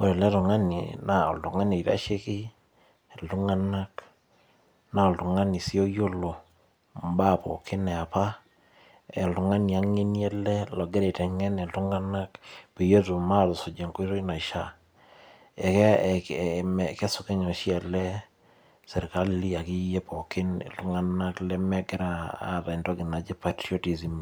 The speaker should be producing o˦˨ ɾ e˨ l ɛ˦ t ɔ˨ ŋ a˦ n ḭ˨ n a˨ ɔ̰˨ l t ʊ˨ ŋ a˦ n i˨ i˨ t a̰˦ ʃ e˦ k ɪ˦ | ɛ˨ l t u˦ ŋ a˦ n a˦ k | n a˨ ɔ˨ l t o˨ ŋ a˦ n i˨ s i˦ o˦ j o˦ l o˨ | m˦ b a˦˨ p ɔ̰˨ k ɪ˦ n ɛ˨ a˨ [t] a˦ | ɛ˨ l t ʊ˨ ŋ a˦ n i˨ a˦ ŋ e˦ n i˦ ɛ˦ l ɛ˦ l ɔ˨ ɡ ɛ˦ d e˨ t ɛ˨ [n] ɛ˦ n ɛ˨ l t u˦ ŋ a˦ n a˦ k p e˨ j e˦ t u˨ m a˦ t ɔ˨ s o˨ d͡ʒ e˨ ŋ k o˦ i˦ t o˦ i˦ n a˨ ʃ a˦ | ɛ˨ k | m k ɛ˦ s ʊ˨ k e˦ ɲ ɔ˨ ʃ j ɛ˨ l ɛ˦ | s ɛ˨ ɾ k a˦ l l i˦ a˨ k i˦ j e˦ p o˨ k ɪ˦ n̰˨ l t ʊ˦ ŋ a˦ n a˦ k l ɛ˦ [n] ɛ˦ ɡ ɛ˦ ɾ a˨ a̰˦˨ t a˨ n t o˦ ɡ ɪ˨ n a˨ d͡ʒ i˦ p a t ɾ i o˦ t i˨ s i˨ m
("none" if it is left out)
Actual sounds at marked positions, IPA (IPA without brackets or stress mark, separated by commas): p, ŋ, m